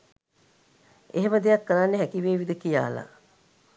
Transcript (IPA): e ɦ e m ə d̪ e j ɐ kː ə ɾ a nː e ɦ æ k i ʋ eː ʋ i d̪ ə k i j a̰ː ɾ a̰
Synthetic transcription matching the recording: e ɦ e m ə d̪ e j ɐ kː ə ɾ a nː e ɦ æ k i ʋ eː ʋ i d̪ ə k i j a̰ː l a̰